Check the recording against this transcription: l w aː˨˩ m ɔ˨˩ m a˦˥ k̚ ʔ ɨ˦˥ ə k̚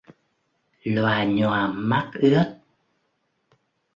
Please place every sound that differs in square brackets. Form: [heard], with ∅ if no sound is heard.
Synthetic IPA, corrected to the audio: l w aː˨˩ [ɲ] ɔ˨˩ m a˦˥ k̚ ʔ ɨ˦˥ ə [t̚]